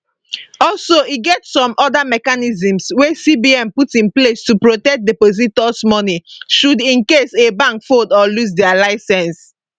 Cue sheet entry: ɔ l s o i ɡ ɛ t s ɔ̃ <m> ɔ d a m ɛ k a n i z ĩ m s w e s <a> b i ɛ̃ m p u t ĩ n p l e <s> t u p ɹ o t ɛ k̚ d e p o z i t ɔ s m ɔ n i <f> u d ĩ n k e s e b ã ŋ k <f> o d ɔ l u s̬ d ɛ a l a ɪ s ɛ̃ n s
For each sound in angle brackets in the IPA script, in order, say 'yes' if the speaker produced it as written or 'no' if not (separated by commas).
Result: yes, no, yes, no, yes